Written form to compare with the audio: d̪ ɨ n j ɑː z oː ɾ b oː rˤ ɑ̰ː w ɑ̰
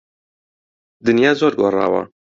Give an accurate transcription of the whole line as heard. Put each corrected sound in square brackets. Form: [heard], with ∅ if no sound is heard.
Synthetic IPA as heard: d̪ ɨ n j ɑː z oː ɾ [ɡ] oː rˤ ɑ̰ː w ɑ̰